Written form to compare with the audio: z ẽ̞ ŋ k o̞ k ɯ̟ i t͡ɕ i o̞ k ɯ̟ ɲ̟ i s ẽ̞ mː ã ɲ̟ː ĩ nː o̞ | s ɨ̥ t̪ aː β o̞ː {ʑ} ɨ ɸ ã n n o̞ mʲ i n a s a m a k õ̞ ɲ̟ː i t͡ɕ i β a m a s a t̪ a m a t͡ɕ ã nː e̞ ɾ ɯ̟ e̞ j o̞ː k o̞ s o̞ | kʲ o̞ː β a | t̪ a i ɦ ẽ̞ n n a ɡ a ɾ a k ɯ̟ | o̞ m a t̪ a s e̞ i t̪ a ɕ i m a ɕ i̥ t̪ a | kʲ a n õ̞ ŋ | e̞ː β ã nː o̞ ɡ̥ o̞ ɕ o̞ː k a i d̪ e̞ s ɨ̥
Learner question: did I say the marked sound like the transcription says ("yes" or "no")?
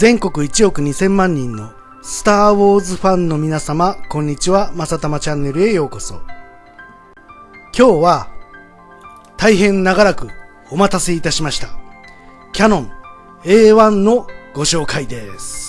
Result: no